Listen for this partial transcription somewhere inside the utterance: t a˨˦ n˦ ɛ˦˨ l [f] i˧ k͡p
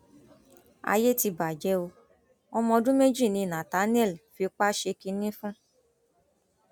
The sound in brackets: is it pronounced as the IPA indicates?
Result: yes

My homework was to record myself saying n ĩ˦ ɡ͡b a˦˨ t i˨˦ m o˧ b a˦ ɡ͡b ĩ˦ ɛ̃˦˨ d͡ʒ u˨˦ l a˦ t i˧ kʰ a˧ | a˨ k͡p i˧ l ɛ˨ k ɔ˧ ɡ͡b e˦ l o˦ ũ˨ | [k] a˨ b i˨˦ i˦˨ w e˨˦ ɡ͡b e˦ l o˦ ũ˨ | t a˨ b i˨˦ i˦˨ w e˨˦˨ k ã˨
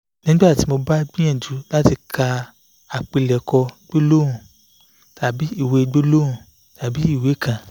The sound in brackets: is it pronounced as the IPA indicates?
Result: no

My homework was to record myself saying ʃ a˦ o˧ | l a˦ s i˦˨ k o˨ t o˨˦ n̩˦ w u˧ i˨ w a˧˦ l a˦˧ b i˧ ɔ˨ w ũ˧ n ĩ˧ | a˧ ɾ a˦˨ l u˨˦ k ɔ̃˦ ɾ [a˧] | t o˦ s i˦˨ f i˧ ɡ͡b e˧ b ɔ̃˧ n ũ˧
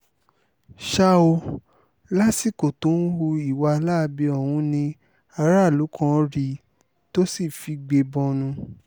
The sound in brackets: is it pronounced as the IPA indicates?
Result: no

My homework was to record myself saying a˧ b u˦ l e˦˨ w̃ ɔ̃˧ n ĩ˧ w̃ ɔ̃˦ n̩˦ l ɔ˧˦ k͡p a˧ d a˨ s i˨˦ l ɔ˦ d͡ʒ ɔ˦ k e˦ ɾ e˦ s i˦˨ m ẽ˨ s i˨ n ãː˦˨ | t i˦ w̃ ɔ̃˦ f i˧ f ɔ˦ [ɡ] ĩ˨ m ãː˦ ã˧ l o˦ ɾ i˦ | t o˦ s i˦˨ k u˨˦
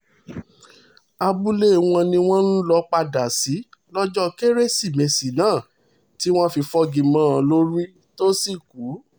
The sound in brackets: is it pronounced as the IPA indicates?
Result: yes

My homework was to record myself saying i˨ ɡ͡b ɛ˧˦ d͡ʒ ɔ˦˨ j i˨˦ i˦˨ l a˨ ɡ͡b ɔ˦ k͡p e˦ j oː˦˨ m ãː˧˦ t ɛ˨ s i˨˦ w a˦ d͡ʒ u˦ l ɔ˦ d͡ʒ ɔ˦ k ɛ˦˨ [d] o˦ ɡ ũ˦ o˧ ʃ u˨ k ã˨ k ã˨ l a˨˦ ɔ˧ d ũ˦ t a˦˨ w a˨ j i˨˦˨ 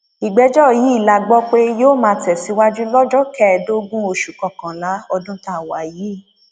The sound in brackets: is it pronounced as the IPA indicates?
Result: yes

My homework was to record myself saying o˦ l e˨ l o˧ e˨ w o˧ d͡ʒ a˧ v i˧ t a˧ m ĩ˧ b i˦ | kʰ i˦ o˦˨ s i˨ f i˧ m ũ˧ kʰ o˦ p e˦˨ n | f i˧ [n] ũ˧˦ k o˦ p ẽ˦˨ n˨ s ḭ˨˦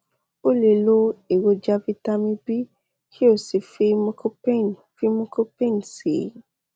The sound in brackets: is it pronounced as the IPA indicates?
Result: no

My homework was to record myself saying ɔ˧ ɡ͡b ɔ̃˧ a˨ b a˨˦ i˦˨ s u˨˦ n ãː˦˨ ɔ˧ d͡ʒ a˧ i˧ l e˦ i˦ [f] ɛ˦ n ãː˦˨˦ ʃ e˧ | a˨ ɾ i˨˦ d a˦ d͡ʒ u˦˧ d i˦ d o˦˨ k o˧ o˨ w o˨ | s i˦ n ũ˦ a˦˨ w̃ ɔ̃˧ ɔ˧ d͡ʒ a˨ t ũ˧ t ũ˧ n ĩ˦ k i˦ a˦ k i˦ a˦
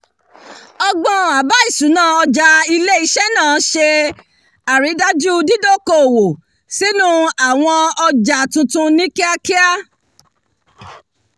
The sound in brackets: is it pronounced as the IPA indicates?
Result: no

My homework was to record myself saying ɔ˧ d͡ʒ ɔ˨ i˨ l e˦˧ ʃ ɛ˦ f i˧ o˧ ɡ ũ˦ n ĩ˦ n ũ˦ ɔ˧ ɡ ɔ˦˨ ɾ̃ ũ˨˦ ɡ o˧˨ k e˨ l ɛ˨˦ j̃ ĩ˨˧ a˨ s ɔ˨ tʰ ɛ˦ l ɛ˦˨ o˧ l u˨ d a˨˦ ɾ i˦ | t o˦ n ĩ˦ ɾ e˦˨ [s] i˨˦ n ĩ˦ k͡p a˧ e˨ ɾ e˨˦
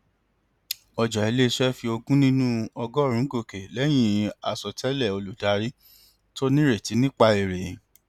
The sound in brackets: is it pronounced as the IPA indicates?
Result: no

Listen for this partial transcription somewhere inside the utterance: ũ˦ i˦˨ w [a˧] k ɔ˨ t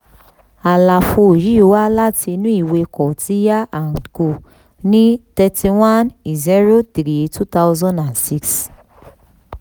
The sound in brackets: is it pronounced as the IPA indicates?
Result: no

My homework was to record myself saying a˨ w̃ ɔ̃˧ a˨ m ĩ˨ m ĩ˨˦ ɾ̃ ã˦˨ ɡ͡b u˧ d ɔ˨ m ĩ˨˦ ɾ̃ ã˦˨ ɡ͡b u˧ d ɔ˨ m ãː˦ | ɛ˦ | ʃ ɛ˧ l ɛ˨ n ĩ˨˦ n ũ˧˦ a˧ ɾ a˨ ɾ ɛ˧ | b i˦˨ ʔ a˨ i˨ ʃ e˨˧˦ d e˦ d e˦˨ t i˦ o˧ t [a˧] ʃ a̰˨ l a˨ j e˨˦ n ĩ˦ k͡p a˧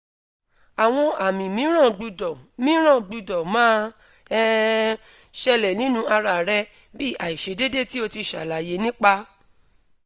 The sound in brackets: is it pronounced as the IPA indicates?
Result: no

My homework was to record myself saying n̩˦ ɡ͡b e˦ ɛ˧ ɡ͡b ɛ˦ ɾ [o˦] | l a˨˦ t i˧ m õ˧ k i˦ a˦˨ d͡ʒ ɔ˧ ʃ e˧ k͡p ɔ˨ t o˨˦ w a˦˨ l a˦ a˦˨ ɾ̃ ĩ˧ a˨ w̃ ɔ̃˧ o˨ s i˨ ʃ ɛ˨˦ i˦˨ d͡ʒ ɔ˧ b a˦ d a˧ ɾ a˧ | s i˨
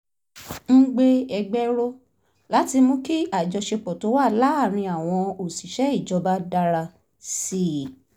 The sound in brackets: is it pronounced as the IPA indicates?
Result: yes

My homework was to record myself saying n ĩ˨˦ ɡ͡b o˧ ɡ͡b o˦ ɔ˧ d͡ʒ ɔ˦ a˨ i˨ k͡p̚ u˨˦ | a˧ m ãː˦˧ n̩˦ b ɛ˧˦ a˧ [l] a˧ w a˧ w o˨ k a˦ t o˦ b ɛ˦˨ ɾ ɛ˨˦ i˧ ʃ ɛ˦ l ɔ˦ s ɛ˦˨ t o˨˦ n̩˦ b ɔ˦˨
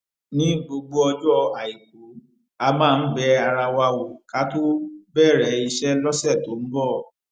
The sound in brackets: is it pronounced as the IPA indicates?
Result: no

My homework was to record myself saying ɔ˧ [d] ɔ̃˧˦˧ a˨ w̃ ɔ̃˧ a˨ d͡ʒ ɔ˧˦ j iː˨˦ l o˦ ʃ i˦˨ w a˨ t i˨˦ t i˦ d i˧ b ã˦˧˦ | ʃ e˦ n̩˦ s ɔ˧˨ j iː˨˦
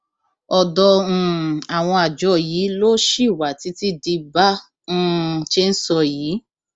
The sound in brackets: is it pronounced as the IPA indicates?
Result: yes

